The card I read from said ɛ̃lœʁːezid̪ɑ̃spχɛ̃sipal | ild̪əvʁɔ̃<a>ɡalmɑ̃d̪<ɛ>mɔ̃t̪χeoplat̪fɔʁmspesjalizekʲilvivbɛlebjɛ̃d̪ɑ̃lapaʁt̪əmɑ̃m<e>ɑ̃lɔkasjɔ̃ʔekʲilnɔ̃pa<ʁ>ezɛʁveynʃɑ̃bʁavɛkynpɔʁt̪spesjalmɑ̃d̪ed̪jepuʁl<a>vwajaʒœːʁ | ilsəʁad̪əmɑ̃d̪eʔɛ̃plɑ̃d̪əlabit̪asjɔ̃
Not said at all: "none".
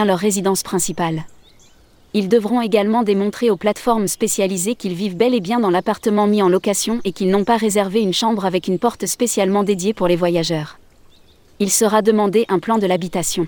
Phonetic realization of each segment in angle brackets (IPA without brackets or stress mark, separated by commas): e, e, i, ʁ, e